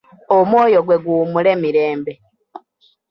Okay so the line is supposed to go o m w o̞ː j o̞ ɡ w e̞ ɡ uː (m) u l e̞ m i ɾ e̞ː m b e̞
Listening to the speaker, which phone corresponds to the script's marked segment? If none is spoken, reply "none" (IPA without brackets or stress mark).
m